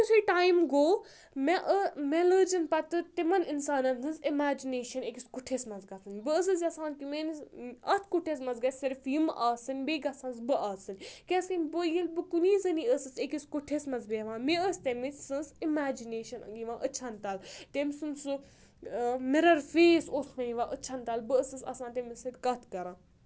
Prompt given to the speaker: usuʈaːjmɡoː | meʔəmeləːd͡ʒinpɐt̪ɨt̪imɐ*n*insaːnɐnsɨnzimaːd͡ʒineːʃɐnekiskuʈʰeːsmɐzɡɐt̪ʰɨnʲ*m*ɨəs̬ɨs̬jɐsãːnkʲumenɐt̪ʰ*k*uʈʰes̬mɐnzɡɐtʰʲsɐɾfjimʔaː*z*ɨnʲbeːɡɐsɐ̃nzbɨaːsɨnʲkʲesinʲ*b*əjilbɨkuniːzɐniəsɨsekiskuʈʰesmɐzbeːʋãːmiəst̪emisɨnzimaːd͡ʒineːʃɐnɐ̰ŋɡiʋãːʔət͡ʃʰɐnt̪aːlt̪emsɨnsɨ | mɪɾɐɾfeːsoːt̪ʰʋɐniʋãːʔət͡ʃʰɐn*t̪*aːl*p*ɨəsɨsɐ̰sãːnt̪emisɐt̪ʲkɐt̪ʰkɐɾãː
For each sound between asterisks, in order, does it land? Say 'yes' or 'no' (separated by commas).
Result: yes, no, yes, no, yes, yes, no